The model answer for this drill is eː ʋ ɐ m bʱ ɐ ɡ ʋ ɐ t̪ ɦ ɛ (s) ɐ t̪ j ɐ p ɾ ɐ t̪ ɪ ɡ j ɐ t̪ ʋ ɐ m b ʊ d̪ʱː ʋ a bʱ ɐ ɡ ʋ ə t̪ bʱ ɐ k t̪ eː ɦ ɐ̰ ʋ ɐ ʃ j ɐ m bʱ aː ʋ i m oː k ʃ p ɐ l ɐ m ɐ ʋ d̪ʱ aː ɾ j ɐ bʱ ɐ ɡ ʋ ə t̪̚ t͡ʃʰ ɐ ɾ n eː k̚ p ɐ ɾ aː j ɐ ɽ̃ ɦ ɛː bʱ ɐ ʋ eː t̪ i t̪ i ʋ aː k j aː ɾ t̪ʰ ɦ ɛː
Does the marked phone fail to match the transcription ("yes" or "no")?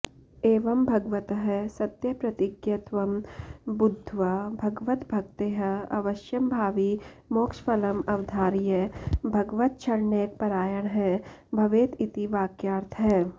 no